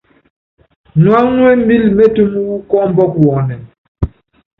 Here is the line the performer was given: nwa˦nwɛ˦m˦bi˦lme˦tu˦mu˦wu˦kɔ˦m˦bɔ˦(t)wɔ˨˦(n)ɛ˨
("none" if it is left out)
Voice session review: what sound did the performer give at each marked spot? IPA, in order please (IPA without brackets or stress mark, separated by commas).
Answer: k, n